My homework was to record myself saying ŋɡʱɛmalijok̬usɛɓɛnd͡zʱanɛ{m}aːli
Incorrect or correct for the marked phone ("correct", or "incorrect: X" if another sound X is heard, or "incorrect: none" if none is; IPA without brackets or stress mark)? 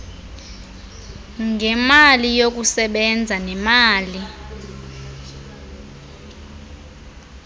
correct